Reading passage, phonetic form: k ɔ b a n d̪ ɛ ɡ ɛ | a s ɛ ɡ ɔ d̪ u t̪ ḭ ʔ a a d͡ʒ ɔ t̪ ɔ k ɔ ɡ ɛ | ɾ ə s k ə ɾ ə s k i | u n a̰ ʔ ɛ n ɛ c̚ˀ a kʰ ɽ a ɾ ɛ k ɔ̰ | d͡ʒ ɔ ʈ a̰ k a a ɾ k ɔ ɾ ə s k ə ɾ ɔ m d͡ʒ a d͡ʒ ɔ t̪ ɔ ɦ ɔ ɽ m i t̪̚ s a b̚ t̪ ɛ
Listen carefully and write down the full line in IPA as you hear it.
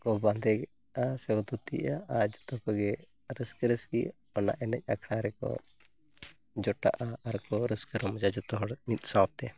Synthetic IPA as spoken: k ɔ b a n d̪ ɛ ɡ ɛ | a s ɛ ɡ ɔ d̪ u t̪ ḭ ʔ a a d͡ʒ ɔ t̪ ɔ k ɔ ɡ ɛ | ɾ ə s k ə ɾ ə s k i | ɔ n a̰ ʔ ɛ n ɛ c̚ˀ a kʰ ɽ a ɾ ɛ k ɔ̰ | d͡ʒ ɔ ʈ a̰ ʔ a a ɾ k ɔ ɾ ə s k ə ɾ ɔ m d͡ʒ a d͡ʒ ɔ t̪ ɔ ɦ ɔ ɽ m i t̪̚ s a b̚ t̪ ɛ